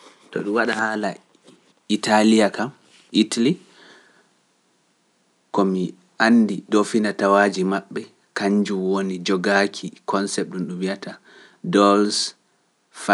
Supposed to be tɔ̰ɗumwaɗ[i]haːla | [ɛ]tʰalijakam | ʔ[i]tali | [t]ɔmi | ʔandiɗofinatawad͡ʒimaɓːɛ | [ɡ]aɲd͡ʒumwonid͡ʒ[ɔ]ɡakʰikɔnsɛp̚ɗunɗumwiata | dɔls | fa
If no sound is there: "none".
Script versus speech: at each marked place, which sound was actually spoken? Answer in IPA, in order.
a, i, i, k, k, ɔ

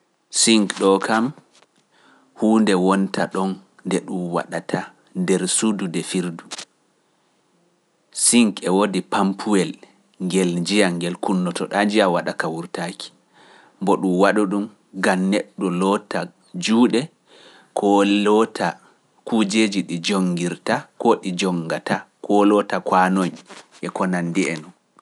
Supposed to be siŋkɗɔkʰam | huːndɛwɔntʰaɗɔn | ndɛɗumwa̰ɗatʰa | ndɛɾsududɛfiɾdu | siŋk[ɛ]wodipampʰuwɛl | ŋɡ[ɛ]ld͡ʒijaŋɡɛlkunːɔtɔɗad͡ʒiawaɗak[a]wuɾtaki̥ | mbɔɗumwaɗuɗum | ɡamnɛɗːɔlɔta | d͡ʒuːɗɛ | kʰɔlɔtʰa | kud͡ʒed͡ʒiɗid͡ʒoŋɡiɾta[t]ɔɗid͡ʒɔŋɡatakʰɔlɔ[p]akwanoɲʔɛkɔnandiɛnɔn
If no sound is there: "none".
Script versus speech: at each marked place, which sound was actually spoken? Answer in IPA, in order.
ɛ, ɛ, a, k, t

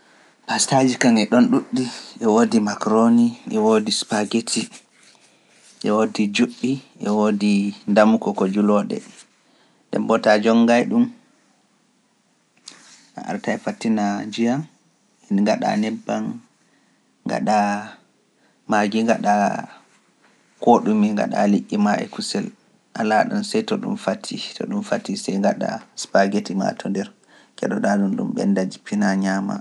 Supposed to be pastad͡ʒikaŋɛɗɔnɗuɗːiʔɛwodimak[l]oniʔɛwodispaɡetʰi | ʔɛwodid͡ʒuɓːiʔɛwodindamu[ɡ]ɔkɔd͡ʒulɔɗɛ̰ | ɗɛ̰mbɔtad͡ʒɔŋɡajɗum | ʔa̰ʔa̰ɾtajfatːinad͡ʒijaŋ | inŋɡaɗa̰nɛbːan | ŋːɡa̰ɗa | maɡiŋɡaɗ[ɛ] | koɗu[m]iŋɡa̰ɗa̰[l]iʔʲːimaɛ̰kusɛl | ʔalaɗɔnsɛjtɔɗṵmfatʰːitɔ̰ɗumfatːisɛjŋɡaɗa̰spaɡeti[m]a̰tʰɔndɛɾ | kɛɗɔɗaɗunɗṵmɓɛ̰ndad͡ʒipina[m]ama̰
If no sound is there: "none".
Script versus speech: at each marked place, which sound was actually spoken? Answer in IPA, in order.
ɾ, k, a, m, l, m, ɲ

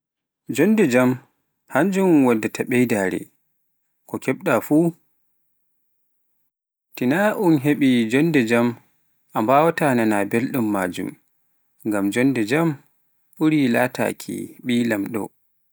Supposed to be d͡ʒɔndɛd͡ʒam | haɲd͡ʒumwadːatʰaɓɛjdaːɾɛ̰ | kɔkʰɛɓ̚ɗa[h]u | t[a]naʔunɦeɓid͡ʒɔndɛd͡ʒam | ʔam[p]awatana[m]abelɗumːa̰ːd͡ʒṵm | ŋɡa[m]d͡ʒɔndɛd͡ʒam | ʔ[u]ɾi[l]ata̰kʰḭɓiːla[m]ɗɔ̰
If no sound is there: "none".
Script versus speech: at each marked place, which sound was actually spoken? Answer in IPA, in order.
f, i, b, n, m, u, l, m

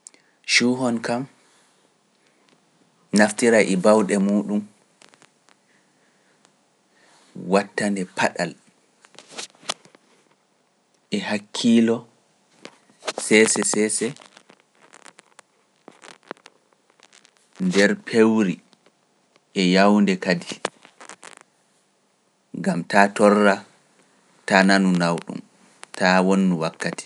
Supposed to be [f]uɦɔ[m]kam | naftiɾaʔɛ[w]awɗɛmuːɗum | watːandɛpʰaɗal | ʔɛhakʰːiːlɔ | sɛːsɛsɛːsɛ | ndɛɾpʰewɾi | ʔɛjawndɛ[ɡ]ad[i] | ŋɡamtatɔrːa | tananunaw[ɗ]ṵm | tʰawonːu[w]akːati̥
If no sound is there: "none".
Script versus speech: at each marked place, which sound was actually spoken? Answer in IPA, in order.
ʃ, n, b, k, i, ɗ, w

